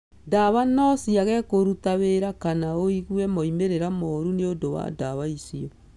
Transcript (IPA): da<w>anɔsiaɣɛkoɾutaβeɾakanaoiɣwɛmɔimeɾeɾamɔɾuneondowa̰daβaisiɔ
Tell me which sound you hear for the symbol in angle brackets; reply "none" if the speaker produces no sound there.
β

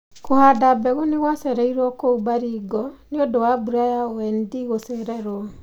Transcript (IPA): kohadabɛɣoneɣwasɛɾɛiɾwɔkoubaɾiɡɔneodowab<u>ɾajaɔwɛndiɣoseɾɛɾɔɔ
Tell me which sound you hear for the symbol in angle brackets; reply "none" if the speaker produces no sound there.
u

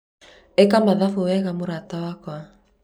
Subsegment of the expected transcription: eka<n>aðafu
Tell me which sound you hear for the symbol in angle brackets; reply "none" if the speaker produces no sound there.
m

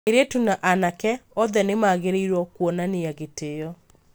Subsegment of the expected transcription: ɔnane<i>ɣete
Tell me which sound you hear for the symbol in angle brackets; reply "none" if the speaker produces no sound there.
a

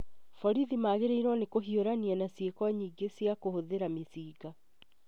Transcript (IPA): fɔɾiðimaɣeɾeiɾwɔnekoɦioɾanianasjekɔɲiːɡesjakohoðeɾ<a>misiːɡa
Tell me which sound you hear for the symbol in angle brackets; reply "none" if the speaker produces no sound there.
a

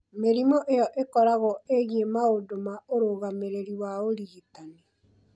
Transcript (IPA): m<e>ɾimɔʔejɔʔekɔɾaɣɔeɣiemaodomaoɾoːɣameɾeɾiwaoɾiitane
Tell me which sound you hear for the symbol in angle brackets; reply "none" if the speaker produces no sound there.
e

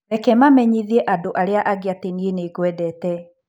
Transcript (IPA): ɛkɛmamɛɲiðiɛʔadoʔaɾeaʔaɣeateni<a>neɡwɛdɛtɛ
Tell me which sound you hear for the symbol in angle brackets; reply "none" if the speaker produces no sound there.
e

